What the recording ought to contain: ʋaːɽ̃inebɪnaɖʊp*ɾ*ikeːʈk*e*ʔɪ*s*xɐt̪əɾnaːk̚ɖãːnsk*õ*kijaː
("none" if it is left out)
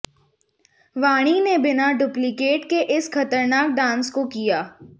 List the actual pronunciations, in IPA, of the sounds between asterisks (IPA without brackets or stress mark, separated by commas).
l, e, s, o